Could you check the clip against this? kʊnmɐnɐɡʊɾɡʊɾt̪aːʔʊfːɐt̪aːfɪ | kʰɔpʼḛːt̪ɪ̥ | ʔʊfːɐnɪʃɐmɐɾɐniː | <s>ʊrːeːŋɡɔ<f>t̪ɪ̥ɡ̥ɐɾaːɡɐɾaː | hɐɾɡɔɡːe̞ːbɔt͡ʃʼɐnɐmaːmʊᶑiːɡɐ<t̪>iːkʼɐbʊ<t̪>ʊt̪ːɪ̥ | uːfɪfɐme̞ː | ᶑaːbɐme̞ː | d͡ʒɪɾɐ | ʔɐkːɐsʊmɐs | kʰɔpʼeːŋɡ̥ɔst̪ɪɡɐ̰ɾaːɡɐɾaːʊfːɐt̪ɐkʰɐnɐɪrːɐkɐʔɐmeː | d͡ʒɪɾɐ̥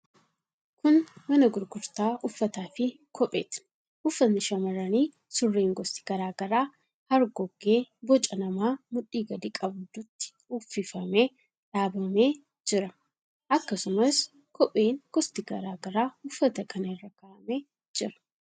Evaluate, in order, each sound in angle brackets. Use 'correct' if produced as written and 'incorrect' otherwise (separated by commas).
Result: correct, incorrect, incorrect, incorrect